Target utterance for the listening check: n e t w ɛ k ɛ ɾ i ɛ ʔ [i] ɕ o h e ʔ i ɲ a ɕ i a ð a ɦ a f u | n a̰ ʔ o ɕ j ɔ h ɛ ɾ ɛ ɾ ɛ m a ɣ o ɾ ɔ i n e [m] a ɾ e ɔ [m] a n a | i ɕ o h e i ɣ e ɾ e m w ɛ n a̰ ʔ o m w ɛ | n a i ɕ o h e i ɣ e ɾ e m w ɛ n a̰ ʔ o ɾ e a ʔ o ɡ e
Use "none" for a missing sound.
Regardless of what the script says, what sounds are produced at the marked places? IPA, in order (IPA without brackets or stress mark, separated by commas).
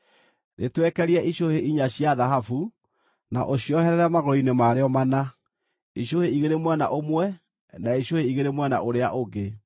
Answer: i, m, m